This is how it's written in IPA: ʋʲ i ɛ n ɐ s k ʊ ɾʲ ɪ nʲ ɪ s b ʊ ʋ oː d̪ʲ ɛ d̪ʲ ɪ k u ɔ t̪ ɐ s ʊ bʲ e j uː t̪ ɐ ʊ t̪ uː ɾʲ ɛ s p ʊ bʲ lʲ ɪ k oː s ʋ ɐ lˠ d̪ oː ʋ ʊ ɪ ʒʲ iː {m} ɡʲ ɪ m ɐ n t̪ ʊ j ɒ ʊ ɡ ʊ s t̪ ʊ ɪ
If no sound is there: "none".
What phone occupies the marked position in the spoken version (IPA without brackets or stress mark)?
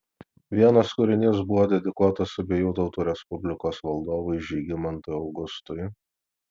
none